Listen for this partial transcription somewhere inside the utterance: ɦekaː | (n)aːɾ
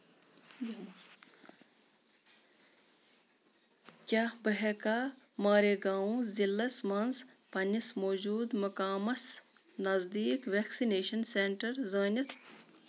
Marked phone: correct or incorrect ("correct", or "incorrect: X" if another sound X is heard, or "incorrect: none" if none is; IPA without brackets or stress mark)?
incorrect: m